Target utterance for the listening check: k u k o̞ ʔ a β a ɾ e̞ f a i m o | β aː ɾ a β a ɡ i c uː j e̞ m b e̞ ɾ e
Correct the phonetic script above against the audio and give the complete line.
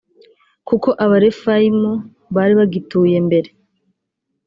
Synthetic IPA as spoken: k u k o̞ ʔ a β a ɾ e̞ f a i m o | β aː ɾ i β a ɡ i t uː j e̞ m b e̞ ɾ e